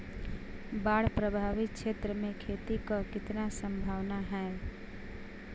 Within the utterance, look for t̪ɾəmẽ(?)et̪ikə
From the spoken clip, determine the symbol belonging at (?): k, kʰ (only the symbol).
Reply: kʰ